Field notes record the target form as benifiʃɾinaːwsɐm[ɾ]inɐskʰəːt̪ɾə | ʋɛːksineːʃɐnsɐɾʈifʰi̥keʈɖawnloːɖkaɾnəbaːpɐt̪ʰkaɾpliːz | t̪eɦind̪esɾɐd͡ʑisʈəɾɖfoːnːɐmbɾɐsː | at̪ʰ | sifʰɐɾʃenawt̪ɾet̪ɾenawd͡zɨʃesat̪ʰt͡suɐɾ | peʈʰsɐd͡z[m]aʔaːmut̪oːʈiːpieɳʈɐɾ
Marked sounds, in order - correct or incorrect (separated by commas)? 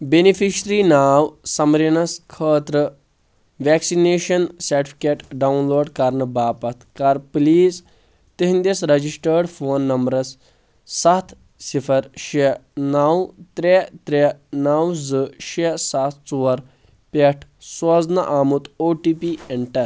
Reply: correct, incorrect